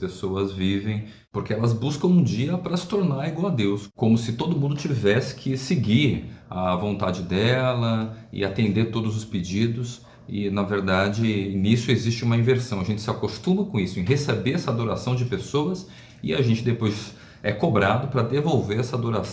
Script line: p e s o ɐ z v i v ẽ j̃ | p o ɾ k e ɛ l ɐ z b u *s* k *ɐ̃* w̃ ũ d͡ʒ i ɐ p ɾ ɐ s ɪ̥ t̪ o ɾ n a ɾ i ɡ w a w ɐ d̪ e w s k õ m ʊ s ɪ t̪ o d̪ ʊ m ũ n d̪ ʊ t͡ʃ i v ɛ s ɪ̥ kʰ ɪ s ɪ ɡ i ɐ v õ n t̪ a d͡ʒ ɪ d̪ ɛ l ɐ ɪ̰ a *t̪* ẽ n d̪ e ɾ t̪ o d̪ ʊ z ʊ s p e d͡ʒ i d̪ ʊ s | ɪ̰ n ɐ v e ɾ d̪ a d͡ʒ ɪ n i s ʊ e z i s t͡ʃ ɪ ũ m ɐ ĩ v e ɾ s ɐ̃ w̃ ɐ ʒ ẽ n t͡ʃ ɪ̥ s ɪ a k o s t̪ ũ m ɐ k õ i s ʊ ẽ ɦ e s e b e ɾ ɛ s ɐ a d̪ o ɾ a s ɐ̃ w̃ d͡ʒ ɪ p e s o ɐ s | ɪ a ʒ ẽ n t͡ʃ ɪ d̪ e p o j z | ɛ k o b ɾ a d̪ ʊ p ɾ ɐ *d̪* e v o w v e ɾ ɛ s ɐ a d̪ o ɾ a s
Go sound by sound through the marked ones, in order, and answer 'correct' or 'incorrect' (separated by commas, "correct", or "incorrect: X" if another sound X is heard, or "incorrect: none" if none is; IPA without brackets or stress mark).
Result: correct, correct, correct, correct